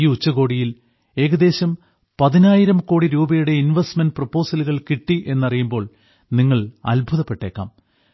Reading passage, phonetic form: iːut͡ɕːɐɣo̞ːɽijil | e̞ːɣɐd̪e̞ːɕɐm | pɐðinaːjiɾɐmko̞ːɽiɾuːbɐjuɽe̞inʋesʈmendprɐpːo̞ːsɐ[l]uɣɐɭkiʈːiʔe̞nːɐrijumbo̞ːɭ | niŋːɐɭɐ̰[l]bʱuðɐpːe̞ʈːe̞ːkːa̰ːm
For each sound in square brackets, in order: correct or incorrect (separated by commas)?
correct, correct